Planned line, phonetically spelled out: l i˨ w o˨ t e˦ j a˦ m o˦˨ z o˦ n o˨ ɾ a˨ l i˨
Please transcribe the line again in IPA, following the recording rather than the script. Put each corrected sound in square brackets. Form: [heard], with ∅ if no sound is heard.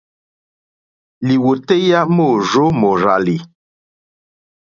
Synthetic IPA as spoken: l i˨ w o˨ t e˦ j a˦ m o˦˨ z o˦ [m] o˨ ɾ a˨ l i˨